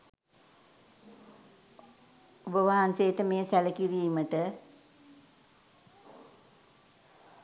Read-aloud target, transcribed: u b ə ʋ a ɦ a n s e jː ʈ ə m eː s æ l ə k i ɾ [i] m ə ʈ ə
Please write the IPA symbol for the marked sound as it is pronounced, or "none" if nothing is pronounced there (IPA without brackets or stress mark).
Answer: iː